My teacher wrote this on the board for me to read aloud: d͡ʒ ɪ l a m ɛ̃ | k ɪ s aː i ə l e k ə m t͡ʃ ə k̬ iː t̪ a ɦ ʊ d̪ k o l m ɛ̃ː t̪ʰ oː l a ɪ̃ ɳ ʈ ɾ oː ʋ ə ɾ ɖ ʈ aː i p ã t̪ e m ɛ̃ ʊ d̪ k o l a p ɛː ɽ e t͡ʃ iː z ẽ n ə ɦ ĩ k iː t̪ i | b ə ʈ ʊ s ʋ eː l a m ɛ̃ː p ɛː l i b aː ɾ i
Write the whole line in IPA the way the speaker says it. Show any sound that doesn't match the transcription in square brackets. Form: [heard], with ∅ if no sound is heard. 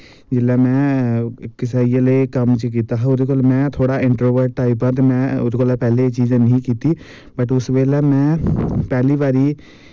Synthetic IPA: d͡ʒ ɪ l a m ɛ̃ | k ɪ s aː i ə l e k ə m t͡ʃ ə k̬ iː t̪ a ɦ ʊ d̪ k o l m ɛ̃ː t̪ʰ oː [ɽ] a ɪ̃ ɳ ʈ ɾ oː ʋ ə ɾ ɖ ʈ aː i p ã t̪ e m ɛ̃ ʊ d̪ k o l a p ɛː [l] e t͡ʃ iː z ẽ n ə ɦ ĩ k iː t̪ i | b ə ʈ ʊ s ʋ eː l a m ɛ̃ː p ɛː l i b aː ɾ i